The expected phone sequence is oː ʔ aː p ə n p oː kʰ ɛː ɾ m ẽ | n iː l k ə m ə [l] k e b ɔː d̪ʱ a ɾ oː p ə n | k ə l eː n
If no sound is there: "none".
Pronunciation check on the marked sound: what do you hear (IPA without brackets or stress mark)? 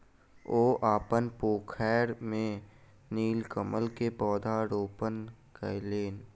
l